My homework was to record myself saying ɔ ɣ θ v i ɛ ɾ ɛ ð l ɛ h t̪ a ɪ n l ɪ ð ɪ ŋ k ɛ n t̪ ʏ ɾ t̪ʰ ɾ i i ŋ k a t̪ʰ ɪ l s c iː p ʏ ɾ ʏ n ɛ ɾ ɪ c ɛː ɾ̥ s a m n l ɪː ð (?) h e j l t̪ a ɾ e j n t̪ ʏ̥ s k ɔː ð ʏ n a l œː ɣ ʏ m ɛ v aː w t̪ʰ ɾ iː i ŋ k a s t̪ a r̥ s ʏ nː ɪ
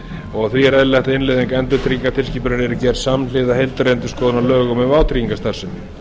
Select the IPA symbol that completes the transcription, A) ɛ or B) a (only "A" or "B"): B